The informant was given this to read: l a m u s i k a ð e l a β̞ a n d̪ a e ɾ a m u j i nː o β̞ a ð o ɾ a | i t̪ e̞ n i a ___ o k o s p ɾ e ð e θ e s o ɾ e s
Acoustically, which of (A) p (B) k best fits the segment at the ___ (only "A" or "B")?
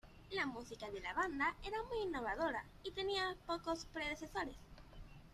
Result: A